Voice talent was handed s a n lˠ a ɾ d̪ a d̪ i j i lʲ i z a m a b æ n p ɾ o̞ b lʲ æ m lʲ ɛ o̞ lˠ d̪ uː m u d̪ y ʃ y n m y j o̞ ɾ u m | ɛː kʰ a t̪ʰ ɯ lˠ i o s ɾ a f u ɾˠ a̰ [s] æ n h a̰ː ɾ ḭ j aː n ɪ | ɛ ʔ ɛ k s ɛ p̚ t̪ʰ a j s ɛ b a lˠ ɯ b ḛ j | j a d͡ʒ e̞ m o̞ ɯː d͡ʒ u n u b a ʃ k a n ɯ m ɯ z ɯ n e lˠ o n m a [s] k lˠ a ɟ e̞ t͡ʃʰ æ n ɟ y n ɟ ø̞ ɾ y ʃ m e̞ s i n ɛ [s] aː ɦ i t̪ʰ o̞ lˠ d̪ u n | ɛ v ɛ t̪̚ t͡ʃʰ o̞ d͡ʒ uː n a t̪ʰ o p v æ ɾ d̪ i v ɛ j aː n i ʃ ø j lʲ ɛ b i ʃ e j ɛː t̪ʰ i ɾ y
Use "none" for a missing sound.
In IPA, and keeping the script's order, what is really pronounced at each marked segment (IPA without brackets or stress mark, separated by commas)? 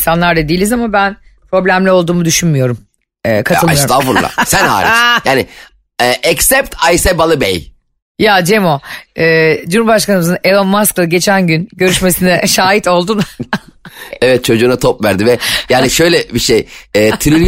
s, s, ʃ